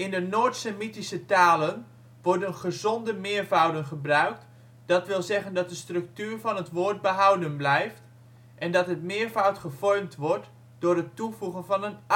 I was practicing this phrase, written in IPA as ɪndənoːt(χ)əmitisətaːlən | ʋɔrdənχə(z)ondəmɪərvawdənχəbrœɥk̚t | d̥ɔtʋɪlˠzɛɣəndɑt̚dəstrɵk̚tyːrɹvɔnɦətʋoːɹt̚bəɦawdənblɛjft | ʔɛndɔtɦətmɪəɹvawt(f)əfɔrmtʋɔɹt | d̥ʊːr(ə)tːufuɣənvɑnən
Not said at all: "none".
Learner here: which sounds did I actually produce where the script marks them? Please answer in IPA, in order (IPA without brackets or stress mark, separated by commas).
s, z, χ, ə